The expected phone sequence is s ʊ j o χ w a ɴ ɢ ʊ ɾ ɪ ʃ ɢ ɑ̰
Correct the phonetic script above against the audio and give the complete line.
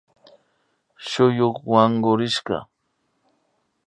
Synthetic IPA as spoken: ʃ ʊ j o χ w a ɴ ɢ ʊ ɾ ɪ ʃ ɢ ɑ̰